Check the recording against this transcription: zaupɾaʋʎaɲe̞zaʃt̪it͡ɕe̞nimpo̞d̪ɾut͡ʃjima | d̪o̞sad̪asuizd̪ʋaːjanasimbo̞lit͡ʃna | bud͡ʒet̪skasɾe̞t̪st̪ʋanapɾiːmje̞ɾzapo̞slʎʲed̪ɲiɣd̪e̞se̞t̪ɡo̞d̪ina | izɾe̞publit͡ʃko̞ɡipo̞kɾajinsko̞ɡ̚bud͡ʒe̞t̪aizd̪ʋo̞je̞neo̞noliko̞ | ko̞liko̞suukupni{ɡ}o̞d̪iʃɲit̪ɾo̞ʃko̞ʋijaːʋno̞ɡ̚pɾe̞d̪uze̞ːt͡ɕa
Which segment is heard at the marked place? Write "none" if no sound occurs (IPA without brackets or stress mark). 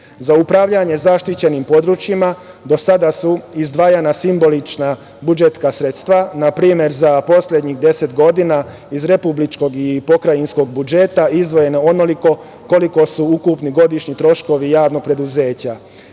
ɡ